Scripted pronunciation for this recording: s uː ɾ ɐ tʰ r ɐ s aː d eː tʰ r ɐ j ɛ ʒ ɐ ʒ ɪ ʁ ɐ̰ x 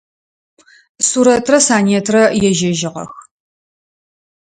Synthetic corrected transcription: s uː ɾ ɐ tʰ r ɐ s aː n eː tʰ r ɐ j ɛ ʒ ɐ ʒ ɪ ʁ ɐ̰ x

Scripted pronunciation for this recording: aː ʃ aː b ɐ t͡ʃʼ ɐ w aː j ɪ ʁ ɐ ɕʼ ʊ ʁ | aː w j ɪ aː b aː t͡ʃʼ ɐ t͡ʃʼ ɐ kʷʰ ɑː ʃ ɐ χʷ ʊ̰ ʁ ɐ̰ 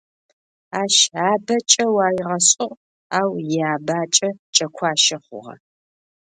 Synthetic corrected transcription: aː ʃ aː b ɐ t͡ʃʼ ɐ w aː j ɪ ʁ ɐ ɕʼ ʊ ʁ | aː w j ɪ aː b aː t͡ʃʼ ɐ t͡ʃʼ ɐ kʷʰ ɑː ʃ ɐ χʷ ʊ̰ ʁ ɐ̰

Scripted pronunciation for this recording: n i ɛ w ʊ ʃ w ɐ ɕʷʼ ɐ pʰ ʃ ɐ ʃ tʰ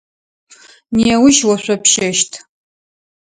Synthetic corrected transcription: n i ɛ w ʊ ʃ w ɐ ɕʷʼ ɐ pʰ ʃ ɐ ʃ tʰ

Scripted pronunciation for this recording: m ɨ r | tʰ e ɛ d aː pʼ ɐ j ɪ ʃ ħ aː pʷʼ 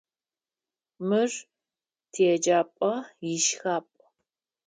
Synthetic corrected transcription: m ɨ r | tʰ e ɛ d͡ʒ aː pʼ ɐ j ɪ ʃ x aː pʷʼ

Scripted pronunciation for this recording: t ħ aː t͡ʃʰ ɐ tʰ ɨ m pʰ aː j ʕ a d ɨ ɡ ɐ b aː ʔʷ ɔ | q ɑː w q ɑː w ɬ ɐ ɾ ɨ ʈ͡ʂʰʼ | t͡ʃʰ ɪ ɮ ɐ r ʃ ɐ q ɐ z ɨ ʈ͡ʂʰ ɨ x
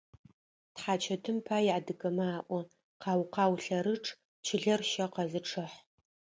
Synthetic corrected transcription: t ħ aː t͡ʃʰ ɐ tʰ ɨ m pʰ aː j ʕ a d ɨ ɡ ɐ m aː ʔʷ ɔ | q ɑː w q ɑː w ɬ ɐ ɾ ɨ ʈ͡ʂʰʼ | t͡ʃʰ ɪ ɮ ɐ r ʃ ɐ q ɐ z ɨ ʈ͡ʂʰ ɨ ħ

